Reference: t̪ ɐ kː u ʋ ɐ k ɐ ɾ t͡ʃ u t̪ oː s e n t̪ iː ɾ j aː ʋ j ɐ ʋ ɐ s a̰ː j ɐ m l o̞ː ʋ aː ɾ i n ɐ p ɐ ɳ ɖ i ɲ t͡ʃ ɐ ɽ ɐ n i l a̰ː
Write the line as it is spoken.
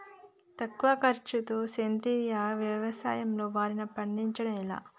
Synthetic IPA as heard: t̪ ɐ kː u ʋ ɐ k ɐ ɾ t͡ʃ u t̪ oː s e n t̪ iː ɾ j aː ʋ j ɐ ʋ ɐ s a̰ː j ɐ m l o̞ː ʋ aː ɾ i n ɐ p ɐ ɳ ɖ i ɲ t͡ʃ ɐ ɽ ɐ m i l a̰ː